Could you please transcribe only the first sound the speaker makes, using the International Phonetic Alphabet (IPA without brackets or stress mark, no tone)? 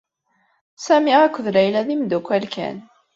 s